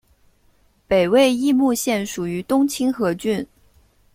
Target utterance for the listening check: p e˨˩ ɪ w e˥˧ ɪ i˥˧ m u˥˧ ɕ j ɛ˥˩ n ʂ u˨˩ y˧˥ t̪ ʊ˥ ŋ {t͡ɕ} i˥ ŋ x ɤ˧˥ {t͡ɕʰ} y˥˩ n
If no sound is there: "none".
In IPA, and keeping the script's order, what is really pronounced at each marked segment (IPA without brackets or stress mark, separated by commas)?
t͡ɕʰ, t͡ɕ